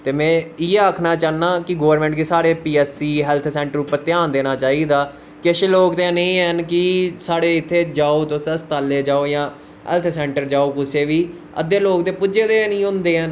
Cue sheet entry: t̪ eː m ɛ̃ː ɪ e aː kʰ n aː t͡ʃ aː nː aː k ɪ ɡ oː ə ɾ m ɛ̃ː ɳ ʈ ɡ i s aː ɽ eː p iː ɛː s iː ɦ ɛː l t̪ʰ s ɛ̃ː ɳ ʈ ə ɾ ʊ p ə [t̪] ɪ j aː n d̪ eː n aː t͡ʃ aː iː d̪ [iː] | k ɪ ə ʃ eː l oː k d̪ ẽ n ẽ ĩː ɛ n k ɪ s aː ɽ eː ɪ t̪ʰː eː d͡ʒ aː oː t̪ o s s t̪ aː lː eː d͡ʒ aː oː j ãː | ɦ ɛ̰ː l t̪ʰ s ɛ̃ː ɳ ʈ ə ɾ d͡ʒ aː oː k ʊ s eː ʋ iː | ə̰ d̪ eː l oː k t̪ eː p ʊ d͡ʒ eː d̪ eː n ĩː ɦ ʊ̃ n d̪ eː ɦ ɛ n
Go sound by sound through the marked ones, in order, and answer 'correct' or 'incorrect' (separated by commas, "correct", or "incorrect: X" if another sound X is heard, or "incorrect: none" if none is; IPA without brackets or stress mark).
correct, incorrect: aː